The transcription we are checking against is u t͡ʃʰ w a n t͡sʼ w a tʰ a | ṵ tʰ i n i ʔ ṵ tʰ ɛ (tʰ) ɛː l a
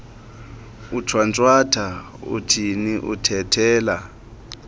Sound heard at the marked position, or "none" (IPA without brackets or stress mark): tʰ